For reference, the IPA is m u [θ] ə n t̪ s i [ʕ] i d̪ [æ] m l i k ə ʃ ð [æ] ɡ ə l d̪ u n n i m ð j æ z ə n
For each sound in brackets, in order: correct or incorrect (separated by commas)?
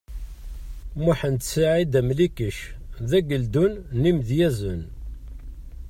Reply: incorrect, correct, correct, correct